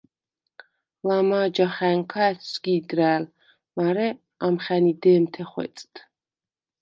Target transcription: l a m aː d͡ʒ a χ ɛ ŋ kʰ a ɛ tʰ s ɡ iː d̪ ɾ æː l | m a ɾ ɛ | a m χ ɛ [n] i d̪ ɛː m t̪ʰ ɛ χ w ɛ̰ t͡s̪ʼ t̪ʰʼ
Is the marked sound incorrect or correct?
correct